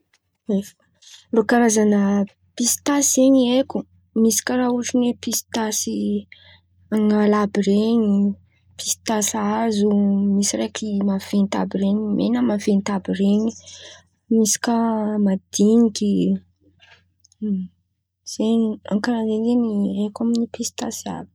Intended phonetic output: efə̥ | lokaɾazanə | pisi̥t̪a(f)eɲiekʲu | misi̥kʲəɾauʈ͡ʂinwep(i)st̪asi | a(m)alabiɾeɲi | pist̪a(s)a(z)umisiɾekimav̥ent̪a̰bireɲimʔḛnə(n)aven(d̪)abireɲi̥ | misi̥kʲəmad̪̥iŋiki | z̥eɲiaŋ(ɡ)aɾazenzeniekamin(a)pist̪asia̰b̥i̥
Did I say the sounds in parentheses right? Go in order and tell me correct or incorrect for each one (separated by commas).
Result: incorrect, correct, incorrect, correct, correct, incorrect, incorrect, incorrect, incorrect